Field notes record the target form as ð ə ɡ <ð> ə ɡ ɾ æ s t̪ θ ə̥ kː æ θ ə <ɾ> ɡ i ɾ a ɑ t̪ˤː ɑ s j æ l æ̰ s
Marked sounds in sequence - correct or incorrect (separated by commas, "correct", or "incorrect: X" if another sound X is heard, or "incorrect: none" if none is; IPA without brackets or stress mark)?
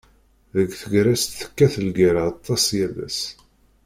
incorrect: θ, incorrect: l